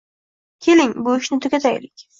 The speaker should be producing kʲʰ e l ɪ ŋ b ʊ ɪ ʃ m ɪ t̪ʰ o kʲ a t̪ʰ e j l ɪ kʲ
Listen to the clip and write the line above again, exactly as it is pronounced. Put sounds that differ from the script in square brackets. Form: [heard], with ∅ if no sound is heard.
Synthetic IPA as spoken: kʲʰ e l ɪ ŋ b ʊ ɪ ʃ [n] ɪ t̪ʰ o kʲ a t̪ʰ [a] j l ɪ kʲ

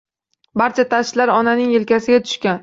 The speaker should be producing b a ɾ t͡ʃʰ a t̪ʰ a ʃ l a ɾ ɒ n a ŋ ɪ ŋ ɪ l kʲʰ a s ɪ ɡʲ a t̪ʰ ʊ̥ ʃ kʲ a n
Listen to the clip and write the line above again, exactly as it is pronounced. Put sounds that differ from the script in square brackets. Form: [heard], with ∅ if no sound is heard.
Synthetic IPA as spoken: b a ɾ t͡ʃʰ a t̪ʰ a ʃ l a ɾ ɒ n a [n] ɪ ŋ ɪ l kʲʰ a s ɪ ɡʲ a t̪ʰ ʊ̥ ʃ kʲ a n

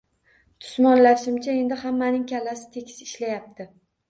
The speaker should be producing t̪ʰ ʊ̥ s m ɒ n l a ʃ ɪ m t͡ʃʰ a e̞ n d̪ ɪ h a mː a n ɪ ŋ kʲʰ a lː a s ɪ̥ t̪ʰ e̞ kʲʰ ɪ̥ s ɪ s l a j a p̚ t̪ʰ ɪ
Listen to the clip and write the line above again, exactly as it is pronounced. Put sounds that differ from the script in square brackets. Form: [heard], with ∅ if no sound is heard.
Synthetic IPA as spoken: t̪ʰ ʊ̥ s m ɒ n l a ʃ ɪ m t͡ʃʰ a e̞ n d̪ ɪ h a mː a n ɪ ŋ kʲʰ a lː a s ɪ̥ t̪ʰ e̞ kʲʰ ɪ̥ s ɪ [ʃ] l a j a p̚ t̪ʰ ɪ

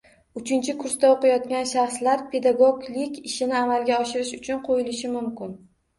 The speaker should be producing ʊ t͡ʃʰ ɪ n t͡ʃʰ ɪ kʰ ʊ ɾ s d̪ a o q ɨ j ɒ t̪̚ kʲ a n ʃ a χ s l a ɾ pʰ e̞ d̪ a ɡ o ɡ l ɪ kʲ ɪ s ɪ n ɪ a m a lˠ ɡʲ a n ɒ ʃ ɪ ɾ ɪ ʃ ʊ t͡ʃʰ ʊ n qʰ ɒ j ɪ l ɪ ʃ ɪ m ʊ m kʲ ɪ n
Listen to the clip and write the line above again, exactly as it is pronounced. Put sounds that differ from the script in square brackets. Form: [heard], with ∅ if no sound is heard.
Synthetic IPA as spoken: ʊ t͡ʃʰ ɪ n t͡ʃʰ ɪ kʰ ʊ ɾ s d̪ a o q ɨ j ɒ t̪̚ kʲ a n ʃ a χ s l a ɾ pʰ e̞ d̪ a ɡ o ɡ l ɪ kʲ ɪ [ʃ] ɪ n ɪ a m a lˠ ɡʲ a [∅] ɒ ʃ ɪ ɾ ɪ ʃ ʊ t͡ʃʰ ʊ n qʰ [o] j ɪ l ɪ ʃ ɪ m ʊ m kʲ ɪ n

